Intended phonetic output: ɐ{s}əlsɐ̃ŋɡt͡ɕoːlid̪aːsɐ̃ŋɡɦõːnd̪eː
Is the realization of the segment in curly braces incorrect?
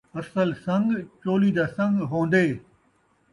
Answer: no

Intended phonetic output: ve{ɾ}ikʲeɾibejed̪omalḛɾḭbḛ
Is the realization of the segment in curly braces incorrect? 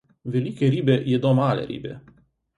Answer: yes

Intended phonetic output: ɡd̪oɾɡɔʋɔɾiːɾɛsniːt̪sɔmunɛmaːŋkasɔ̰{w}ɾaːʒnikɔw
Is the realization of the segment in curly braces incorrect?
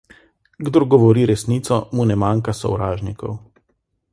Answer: no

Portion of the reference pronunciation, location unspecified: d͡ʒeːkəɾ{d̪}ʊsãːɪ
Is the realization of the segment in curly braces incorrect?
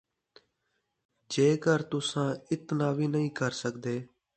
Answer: yes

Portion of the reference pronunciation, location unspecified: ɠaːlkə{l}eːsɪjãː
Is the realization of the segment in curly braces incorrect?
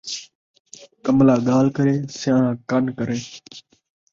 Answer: yes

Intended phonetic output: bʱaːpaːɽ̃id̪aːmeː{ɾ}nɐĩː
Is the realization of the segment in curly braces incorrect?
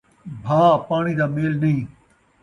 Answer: yes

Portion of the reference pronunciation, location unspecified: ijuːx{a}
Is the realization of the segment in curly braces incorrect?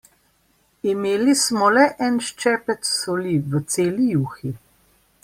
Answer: yes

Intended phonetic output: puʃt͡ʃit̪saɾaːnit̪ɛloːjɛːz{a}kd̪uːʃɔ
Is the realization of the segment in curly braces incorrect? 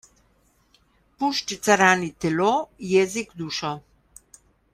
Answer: yes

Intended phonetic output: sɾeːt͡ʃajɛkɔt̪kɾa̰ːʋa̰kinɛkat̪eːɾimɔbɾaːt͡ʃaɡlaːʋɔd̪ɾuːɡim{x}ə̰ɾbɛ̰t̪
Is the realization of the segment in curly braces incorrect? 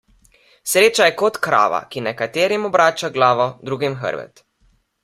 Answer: no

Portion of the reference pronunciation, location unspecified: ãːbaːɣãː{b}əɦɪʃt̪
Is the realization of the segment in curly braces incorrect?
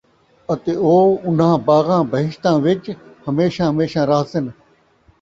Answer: no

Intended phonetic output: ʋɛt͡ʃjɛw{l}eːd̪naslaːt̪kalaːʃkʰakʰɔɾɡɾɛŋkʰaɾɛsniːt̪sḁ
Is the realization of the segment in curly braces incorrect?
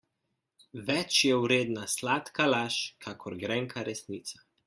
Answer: yes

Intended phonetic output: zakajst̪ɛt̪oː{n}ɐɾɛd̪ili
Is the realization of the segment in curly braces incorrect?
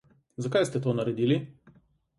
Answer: no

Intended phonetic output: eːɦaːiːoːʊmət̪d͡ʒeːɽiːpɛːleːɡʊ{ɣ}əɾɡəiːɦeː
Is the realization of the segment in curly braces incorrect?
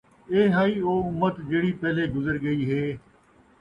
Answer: yes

